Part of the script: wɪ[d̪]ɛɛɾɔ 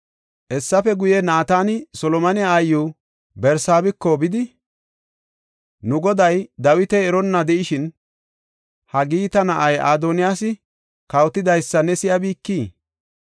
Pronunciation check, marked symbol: incorrect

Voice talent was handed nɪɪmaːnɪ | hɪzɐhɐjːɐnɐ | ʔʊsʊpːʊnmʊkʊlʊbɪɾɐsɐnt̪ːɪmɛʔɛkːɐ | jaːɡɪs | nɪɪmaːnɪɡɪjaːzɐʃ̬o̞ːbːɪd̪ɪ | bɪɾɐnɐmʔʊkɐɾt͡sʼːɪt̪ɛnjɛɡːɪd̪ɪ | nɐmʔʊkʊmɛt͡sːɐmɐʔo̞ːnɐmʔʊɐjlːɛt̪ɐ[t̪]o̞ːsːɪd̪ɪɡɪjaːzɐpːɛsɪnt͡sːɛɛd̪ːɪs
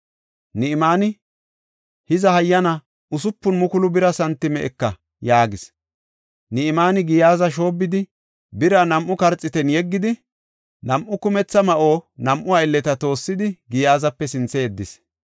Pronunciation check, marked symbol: correct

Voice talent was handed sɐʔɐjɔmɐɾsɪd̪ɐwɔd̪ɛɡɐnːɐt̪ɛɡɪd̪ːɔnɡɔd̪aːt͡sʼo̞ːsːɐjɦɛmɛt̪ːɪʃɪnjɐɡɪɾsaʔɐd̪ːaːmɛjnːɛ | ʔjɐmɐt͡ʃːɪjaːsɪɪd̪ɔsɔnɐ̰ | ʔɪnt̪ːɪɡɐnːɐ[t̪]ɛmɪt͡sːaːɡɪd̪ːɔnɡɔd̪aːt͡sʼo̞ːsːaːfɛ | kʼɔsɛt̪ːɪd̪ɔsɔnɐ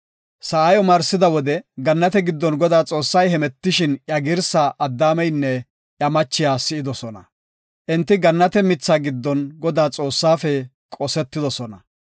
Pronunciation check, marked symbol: correct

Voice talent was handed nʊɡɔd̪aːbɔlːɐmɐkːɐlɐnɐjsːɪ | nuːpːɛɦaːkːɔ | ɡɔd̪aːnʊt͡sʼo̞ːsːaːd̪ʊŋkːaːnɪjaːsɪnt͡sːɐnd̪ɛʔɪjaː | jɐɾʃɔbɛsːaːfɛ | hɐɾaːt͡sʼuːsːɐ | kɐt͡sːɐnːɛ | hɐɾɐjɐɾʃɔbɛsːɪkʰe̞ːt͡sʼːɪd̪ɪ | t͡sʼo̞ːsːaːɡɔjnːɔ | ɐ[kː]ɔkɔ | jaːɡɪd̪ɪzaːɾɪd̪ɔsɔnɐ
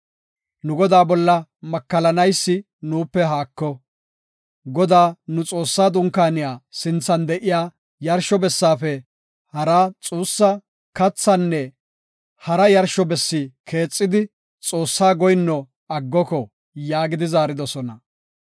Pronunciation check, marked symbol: incorrect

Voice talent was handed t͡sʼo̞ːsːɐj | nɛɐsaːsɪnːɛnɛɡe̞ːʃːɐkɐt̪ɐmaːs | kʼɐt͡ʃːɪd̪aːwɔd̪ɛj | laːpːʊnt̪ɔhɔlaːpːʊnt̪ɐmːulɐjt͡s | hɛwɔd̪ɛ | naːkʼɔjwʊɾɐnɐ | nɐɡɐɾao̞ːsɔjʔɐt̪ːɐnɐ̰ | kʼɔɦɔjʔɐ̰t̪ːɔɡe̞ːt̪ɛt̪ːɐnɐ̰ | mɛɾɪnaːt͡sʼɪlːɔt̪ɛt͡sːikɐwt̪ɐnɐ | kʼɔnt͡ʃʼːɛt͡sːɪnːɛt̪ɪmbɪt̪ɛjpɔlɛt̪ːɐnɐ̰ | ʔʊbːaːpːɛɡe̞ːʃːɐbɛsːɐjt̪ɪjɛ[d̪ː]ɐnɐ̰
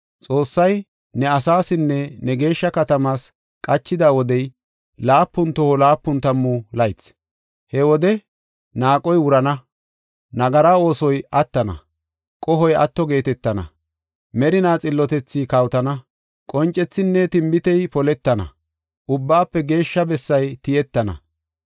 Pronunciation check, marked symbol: incorrect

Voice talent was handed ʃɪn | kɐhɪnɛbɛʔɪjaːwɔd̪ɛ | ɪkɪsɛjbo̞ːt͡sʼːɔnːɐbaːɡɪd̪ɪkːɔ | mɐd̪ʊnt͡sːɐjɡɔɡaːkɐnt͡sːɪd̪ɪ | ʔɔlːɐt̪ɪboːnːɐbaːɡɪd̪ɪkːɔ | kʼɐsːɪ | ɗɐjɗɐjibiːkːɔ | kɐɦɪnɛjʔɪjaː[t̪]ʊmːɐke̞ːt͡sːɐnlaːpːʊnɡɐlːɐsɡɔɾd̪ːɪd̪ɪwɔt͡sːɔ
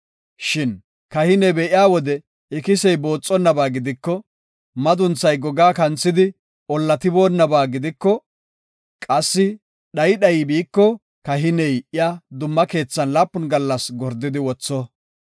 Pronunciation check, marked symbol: incorrect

